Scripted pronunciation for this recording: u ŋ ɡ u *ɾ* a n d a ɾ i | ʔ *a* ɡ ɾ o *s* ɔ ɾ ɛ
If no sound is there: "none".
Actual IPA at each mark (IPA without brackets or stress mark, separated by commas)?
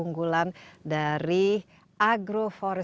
l, a, f